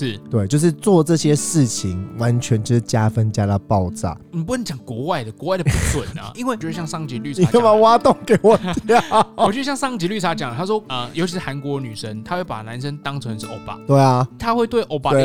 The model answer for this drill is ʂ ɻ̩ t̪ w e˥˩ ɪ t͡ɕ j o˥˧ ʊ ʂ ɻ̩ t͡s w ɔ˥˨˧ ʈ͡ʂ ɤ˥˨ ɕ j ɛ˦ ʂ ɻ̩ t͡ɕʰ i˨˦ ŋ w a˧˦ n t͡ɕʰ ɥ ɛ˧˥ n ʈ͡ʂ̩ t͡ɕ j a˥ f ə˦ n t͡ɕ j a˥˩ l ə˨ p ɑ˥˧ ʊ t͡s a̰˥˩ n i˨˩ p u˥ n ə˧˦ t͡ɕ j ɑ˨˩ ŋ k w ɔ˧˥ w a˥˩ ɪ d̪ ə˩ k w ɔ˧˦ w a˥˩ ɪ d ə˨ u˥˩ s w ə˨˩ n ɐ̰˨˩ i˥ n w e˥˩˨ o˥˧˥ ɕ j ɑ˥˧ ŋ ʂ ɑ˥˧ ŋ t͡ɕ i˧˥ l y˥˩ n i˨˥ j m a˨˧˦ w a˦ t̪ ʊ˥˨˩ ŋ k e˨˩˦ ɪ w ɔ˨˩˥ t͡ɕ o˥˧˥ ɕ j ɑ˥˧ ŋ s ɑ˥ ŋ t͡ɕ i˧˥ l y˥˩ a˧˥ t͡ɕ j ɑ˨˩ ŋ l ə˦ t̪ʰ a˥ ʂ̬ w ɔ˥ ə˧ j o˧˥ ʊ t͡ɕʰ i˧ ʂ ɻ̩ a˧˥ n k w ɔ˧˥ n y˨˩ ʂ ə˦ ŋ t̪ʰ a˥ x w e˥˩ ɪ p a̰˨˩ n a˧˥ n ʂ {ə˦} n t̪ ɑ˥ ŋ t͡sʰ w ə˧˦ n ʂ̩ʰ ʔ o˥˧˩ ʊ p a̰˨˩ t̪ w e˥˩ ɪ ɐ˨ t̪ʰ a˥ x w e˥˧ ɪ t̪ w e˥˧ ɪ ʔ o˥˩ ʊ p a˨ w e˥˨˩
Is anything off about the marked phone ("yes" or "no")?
no